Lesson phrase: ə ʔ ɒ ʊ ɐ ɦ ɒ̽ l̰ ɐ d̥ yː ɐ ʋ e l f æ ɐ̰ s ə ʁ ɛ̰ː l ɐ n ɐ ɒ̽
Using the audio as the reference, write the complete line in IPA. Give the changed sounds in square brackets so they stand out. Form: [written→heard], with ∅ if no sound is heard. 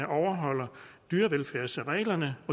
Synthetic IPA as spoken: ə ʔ ɒ ʊ ɐ ɦ ɒ̽ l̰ ɐ d̥ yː ɐ ʋ e l f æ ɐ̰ s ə ʁ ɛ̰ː l ɐ n [ɐ→ə] ɒ̽